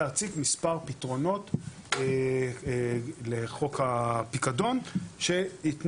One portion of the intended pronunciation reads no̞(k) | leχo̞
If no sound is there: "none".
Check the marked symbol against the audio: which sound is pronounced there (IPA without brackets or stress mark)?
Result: t